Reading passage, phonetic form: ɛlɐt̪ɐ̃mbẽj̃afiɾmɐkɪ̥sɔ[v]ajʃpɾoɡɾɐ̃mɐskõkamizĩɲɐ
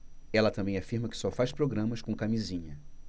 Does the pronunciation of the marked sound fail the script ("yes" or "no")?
yes